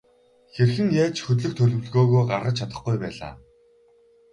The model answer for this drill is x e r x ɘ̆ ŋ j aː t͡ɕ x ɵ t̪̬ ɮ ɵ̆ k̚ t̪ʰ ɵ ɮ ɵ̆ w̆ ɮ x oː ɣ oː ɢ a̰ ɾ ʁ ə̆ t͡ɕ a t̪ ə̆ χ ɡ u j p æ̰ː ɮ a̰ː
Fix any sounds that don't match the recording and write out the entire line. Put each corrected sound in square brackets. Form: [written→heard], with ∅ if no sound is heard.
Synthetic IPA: x e r x ɘ̆ ŋ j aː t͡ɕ x ɵ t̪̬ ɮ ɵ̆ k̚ t̪ʰ ɵ ɮ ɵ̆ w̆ ɮ [x→ɣ] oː ɣ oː ɢ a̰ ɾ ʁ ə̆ [t͡ɕ→t͡ɕʰ] a t̪ ə̆ χ ɡ u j p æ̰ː ɮ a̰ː